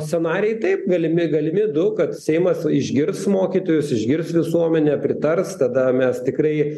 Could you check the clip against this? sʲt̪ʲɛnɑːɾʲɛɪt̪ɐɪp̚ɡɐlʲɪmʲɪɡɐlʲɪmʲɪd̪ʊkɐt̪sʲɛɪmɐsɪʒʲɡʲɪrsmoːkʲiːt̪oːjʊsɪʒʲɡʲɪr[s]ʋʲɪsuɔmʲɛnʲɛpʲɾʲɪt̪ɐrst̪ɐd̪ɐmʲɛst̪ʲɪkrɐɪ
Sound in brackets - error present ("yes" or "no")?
no